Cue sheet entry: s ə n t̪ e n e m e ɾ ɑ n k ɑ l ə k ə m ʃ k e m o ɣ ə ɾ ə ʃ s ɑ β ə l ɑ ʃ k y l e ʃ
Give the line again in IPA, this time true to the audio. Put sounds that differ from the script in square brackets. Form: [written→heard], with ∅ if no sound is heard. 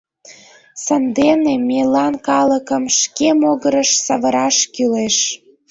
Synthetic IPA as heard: s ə n [t̪→d̪] e n e m e [ɾ→l] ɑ n k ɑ l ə k ə m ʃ k e m o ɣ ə ɾ ə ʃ s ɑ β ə [l→ɾ] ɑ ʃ k y l e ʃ